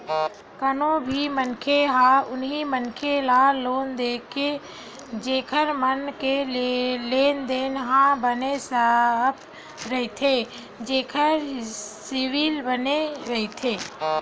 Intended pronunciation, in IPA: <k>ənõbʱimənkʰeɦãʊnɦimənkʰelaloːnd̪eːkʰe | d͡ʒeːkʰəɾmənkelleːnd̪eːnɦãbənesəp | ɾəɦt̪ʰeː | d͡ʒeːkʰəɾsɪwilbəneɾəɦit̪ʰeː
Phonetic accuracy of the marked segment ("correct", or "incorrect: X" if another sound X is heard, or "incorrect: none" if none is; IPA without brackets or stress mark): correct